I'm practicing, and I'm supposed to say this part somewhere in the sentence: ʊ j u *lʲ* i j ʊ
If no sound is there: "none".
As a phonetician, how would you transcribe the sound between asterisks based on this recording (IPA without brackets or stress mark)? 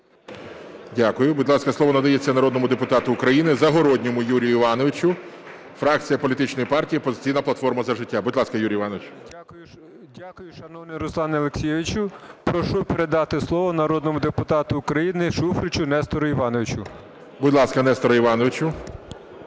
ɾʲ